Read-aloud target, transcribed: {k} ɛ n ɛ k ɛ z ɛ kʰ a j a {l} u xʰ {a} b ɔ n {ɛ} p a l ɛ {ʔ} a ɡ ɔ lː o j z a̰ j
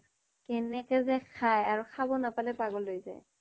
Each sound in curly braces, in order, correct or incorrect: correct, incorrect, correct, incorrect, incorrect

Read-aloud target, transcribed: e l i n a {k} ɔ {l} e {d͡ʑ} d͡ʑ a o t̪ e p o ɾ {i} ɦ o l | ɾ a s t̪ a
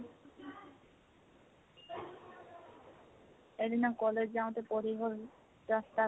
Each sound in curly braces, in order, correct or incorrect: correct, correct, correct, correct

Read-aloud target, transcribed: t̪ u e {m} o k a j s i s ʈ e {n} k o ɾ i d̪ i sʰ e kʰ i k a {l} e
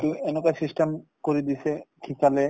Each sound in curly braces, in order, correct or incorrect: incorrect, incorrect, correct

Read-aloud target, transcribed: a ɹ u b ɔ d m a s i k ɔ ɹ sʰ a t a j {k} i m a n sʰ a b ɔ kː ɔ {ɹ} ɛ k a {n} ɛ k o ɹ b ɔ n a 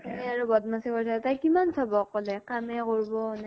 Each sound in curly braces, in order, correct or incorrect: correct, incorrect, incorrect

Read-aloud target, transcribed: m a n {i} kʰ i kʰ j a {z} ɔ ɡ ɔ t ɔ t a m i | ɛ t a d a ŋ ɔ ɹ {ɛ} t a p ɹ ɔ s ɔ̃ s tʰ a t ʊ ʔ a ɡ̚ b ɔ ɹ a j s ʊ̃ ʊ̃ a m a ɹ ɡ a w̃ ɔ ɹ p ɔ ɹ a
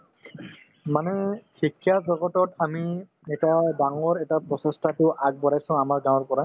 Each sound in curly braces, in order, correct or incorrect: incorrect, correct, correct

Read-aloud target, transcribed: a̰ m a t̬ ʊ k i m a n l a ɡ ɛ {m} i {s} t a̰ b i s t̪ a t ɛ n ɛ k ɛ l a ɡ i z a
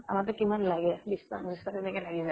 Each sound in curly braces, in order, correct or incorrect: incorrect, correct

